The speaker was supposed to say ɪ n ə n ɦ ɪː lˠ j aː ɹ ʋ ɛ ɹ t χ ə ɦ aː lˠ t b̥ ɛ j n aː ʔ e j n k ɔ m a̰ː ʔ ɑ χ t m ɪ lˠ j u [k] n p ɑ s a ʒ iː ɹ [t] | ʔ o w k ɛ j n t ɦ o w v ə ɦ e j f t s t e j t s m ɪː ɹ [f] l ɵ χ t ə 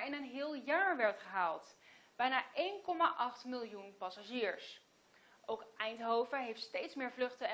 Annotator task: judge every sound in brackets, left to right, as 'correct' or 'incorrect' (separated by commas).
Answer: incorrect, incorrect, incorrect